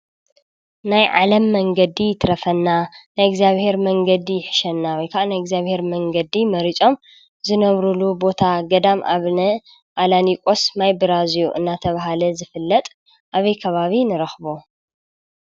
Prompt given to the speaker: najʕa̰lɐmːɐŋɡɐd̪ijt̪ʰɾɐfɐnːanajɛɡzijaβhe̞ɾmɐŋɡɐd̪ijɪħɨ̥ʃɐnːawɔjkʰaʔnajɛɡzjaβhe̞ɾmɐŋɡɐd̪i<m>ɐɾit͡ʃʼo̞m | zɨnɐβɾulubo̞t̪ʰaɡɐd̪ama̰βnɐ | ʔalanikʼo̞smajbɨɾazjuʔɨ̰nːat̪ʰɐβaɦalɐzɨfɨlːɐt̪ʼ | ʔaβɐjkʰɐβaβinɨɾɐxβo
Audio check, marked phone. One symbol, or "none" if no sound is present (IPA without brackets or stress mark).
m